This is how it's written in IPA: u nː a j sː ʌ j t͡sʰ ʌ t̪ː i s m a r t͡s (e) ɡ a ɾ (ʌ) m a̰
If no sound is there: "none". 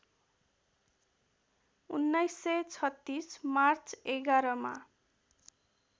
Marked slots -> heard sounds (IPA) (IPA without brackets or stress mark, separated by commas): e, ʌ